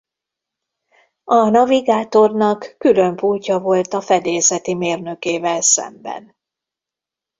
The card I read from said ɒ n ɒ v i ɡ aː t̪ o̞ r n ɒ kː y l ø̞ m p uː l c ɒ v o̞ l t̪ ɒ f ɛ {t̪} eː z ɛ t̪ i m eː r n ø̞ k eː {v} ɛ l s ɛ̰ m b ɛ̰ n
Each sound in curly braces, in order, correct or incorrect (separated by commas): incorrect, correct